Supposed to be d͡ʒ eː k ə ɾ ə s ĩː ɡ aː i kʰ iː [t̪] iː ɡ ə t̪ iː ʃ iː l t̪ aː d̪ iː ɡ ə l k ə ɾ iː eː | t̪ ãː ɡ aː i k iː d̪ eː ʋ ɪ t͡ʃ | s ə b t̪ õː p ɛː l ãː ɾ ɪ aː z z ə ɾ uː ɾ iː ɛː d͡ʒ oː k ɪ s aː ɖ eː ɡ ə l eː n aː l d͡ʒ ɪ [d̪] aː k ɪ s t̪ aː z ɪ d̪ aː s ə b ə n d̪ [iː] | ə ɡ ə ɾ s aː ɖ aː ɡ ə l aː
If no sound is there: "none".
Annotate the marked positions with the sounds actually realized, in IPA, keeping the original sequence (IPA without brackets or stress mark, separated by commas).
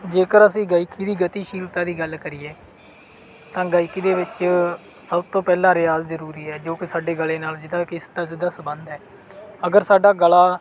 d̪, d̪, ɛː